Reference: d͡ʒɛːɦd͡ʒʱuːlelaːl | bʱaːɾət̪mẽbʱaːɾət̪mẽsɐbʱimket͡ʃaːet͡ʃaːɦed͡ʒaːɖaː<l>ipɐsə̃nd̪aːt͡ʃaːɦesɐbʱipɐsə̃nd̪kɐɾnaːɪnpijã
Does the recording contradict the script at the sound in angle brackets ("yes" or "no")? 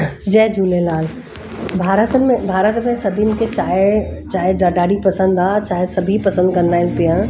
yes